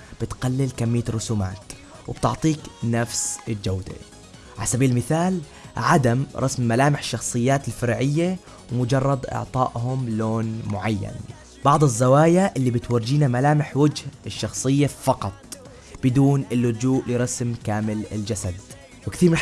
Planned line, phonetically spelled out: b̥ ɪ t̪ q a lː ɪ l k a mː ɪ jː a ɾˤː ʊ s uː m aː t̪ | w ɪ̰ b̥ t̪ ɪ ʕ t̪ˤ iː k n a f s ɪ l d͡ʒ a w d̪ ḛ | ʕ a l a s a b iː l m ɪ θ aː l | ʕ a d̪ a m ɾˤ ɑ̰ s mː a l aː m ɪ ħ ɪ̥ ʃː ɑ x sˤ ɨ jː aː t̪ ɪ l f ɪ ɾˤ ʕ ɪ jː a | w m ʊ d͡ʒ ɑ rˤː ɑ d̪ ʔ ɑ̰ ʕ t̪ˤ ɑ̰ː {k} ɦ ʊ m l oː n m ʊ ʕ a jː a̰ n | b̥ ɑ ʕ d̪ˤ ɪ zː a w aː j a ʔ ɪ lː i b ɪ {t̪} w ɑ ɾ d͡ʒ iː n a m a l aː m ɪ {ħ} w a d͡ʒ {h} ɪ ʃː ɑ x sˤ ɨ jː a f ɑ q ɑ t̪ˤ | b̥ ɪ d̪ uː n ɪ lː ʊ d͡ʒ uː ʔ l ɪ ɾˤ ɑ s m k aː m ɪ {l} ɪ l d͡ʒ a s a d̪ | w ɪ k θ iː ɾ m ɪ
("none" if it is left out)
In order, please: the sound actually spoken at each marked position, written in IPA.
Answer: ʔ, t̪, ħ, h, l

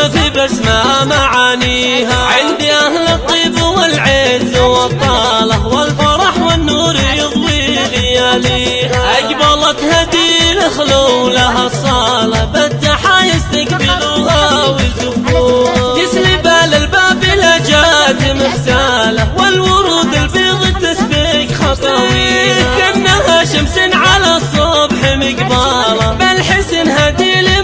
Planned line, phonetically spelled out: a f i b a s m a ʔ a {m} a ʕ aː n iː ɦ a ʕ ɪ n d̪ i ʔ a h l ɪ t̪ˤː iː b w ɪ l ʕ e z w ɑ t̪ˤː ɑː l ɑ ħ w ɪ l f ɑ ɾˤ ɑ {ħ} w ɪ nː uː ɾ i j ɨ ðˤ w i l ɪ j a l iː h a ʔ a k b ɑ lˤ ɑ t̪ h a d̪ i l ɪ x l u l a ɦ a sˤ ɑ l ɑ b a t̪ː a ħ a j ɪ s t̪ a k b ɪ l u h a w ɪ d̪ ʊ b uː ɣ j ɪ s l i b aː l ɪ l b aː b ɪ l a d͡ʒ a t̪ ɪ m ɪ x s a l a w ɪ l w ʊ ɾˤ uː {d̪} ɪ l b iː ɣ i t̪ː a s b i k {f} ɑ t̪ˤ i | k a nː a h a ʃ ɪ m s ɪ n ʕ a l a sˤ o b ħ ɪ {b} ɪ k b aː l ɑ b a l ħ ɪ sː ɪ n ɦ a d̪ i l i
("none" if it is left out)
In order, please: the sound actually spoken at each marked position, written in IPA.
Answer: m, ħ, d̪, x, m

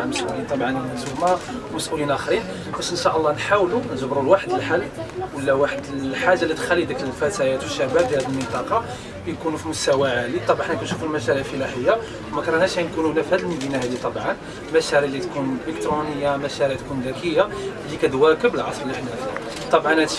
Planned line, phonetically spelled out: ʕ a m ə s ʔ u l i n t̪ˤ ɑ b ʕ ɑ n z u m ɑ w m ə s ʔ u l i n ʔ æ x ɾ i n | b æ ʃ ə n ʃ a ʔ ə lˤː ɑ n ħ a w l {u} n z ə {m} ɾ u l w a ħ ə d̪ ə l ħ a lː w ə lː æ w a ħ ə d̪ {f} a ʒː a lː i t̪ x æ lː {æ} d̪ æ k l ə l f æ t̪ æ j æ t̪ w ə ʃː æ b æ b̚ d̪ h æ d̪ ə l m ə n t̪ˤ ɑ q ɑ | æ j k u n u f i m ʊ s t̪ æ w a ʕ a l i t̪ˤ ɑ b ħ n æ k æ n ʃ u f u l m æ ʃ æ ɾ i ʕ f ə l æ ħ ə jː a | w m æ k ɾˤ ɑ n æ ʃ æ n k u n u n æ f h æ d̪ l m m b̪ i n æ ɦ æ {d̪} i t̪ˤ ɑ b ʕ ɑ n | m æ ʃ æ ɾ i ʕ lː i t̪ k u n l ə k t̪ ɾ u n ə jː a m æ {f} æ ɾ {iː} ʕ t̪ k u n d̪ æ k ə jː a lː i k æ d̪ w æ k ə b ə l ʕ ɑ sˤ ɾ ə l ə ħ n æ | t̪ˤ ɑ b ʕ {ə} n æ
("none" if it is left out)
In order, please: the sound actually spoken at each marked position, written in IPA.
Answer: u, b, ħ, i, d̪, ʃ, i, ɑ

